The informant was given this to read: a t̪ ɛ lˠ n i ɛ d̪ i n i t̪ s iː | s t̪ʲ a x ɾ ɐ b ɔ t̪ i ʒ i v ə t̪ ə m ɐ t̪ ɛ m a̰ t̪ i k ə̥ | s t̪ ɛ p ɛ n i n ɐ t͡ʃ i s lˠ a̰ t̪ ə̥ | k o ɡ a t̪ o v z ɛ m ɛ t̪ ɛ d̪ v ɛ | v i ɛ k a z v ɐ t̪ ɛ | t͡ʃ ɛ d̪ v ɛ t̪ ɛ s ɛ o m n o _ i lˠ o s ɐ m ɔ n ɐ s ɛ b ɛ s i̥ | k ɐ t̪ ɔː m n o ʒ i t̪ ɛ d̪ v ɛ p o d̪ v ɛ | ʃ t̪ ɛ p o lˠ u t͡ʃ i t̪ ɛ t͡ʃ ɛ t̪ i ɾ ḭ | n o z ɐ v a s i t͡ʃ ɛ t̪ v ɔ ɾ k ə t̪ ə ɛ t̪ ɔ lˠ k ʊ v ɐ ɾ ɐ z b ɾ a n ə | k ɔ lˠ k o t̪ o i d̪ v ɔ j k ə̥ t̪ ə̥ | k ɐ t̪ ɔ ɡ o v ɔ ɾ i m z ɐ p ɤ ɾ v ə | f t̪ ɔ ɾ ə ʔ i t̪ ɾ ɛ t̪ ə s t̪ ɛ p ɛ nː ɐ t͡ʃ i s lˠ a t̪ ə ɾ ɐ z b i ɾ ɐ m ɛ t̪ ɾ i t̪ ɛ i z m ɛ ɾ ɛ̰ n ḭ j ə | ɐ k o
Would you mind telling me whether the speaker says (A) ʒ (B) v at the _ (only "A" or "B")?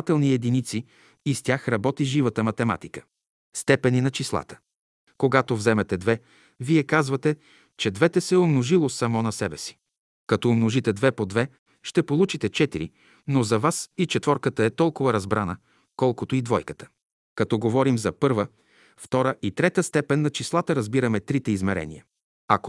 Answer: A